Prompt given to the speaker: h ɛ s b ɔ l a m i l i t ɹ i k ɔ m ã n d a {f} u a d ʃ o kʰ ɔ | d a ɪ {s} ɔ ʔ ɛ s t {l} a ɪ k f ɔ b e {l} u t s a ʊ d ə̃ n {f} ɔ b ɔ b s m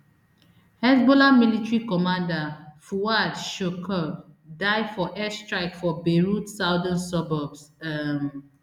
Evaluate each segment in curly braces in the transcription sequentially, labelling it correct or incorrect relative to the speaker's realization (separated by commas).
correct, incorrect, incorrect, incorrect, incorrect